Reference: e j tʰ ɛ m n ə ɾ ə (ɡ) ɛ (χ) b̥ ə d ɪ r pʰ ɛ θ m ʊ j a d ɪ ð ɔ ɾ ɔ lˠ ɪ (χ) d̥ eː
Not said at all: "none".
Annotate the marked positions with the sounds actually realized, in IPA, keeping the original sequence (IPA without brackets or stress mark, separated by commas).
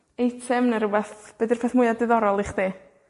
b, θ, χ